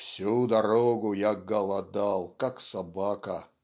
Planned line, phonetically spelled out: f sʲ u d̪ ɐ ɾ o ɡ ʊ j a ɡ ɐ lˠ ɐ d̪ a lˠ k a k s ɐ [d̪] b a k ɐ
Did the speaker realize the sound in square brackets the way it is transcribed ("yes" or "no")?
no